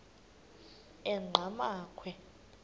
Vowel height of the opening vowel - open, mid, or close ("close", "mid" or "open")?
mid